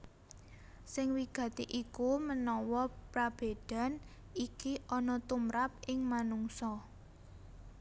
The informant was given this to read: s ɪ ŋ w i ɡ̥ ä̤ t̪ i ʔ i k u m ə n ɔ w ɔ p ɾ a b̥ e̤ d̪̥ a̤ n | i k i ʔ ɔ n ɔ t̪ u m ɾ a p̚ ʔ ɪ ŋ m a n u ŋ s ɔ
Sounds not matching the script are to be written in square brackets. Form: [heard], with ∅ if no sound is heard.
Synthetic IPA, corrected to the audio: s ɪ ŋ w i ɡ̥ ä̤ t̪ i ʔ i k u m ə n ɔ w ɔ p ɾ a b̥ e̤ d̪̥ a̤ n | i k i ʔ ɔ n ɔ t̪ u m ɾ a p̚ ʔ ɪ ŋ m a n u ŋ s ɔ